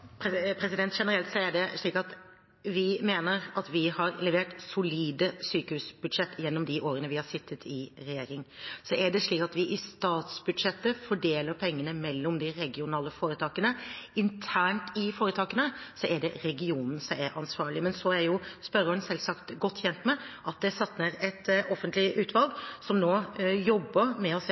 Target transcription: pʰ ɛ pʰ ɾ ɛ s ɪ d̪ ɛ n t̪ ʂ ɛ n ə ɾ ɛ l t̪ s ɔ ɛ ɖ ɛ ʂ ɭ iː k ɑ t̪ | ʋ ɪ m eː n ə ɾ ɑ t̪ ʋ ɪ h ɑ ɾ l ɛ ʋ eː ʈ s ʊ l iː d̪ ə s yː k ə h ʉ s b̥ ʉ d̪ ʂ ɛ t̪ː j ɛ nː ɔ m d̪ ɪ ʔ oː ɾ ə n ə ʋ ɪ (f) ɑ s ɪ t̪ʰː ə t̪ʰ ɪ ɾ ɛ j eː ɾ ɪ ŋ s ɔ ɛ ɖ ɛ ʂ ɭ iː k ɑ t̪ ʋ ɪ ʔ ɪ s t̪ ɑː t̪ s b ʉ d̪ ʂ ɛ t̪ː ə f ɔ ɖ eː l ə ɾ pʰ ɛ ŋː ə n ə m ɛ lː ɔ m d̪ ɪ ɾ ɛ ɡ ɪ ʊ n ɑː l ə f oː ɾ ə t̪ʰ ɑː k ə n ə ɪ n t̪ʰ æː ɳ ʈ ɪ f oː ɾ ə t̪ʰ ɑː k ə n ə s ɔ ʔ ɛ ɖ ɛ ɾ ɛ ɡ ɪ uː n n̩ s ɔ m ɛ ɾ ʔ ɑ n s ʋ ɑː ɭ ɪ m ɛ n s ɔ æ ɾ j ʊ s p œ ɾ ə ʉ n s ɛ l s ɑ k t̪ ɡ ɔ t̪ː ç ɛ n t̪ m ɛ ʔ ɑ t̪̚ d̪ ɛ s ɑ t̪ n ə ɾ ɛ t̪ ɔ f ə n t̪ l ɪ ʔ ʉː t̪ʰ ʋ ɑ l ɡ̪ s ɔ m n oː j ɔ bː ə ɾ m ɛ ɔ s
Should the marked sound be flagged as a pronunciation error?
yes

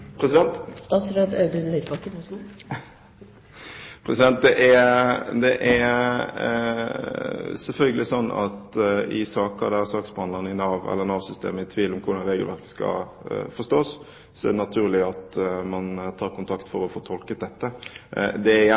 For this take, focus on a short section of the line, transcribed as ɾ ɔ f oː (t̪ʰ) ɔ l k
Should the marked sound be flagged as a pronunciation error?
no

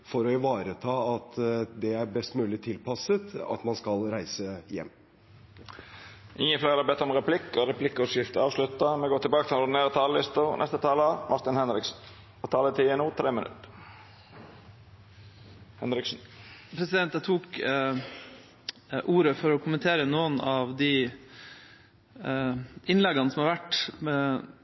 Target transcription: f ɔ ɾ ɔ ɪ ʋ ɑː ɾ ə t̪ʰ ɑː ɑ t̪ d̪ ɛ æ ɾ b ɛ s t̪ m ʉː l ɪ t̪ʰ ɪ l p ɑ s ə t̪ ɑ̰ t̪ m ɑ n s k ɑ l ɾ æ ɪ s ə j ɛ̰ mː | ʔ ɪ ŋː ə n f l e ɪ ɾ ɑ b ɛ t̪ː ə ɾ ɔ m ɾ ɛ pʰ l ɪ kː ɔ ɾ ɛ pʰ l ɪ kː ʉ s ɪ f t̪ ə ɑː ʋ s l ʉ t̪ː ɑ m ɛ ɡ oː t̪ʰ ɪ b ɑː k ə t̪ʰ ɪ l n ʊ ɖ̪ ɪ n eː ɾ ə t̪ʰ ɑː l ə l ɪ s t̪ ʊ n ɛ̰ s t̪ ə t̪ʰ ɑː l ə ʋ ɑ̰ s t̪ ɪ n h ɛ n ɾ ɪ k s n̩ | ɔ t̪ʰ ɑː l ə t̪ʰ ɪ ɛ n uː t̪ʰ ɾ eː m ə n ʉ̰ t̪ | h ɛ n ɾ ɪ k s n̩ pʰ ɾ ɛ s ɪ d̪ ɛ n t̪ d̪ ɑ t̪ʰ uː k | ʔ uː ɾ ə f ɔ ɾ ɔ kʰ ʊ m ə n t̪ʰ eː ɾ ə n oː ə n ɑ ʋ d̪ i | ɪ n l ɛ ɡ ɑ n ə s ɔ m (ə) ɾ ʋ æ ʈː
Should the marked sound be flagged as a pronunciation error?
yes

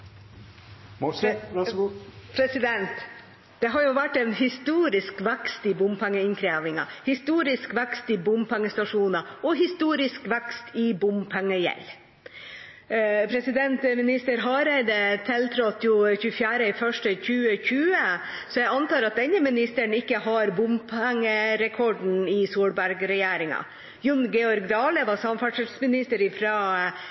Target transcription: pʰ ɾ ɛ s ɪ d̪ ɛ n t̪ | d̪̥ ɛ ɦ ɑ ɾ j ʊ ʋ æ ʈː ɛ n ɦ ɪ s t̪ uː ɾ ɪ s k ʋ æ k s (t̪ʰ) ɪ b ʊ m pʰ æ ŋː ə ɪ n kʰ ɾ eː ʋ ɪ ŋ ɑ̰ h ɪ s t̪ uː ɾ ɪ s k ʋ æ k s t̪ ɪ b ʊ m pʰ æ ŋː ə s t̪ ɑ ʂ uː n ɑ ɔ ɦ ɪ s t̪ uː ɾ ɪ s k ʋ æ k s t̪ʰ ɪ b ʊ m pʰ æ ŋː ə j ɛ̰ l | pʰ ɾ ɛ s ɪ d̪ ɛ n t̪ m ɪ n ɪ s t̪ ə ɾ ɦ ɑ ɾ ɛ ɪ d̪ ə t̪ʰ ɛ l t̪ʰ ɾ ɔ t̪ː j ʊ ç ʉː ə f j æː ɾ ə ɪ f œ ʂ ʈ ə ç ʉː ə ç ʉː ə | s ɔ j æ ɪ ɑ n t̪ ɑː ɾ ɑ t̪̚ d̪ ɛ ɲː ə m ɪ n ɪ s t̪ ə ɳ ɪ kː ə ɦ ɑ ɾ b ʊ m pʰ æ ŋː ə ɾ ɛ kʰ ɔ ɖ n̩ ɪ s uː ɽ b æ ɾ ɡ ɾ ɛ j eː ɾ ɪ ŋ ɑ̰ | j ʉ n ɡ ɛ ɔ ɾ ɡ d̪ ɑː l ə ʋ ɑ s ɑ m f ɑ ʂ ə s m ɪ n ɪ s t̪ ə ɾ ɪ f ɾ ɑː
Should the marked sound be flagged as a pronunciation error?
yes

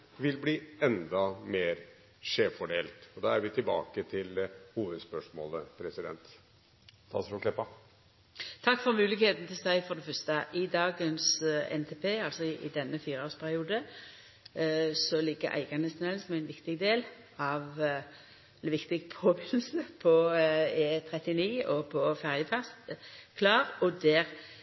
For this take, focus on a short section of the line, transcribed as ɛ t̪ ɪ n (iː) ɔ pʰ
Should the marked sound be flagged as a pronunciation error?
no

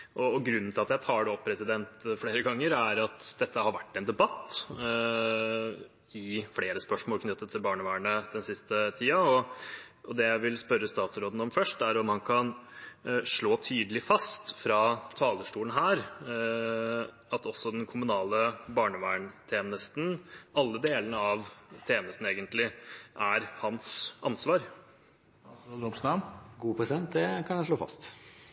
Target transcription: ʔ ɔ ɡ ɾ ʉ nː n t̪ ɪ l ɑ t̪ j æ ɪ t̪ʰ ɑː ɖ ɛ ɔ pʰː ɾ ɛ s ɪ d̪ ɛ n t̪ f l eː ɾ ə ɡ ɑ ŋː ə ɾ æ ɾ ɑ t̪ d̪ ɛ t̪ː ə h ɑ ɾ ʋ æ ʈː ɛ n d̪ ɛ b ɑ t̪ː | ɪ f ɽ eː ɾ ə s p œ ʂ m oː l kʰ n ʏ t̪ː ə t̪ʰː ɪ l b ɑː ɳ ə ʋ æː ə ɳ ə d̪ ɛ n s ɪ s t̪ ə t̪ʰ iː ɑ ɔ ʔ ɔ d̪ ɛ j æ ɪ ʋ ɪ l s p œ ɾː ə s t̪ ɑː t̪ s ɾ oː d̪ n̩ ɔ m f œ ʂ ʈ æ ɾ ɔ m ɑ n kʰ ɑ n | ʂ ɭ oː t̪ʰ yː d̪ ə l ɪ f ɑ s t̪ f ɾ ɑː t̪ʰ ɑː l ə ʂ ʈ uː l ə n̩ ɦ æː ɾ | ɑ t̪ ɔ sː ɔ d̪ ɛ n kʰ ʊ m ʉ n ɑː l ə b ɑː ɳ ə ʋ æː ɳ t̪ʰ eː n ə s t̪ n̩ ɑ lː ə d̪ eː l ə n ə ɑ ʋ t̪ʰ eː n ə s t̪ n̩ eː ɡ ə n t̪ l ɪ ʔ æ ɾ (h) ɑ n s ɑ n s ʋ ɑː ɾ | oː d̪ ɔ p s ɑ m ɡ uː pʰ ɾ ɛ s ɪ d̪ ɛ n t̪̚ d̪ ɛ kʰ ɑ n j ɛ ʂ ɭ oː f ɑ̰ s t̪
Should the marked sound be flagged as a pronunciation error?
no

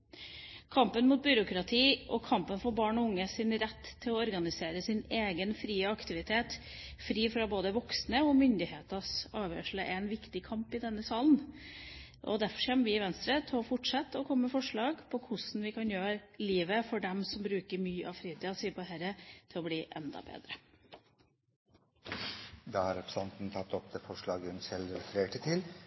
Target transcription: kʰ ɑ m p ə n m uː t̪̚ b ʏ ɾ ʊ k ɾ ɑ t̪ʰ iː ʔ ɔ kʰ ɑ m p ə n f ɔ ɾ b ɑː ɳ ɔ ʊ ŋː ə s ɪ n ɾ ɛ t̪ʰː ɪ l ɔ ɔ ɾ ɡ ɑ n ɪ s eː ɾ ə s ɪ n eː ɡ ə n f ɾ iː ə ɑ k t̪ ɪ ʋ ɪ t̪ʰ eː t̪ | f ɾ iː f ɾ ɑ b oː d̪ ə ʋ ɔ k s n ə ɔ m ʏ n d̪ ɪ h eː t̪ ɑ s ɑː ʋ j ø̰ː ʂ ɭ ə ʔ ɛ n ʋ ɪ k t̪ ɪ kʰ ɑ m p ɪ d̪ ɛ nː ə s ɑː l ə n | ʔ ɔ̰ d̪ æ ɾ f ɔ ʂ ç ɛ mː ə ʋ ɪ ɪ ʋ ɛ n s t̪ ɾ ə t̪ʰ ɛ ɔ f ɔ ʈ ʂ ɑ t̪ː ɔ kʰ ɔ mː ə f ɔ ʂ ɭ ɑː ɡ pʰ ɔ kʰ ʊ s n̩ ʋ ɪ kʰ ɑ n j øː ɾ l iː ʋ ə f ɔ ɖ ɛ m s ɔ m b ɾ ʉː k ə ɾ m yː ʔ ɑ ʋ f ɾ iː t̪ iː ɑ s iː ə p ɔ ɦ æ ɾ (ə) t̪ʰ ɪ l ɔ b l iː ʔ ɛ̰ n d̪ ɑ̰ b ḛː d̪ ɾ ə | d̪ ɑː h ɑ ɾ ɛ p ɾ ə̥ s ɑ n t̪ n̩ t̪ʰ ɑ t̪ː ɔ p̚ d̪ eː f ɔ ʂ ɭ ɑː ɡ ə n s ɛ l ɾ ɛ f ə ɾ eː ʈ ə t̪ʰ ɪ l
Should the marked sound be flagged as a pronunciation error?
no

